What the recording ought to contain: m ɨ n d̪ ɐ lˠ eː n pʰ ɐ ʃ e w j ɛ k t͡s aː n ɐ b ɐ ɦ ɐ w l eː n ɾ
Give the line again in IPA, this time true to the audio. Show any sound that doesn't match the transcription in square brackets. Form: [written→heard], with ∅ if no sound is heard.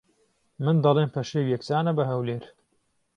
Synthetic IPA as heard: m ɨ n d̪ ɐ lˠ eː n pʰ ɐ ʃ e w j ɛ k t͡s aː n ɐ b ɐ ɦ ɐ w l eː [n→∅] ɾ